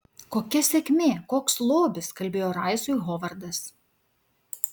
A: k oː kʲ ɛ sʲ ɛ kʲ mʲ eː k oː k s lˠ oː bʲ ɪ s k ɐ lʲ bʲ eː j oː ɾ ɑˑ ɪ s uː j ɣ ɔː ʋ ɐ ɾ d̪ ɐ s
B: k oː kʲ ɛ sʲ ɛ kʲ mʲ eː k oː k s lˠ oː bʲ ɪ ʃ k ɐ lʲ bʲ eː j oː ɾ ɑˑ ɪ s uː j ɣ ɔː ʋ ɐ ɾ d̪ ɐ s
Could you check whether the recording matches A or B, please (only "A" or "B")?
A